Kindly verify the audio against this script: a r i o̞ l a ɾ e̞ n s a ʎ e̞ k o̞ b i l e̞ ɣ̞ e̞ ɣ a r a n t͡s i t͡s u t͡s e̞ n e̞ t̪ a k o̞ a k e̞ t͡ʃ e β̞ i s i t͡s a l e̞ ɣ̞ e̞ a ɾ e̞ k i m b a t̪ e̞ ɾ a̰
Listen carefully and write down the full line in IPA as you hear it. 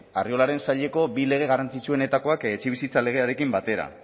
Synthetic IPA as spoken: a r i o̞ l a ɾ e̞ n s a ʎ e̞ k o̞ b i l e̞ ɣ̞ e̞ ɣ a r a n t͡s i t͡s u e̞ n e̞ t̪ a k o̞ a k e̞ t͡ʃ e β̞ i s i t͡s a l e̞ ɣ̞ e̞ a ɾ e̞ k i m b a t̪ e̞ ɾ a̰